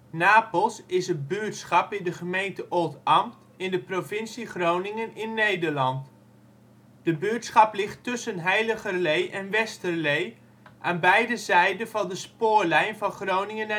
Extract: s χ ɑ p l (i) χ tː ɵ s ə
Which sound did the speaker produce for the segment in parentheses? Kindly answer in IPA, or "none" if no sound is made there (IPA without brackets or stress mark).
ɪ